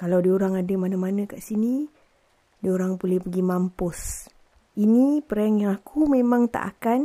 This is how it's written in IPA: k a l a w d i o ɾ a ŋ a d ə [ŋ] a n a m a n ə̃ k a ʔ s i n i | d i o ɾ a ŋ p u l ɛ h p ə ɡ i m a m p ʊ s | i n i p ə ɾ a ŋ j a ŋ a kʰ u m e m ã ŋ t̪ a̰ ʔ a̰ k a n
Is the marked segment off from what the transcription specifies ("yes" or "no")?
yes